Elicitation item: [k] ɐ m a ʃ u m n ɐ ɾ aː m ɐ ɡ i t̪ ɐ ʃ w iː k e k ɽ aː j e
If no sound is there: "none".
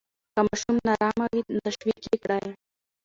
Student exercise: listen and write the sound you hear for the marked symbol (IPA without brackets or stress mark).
k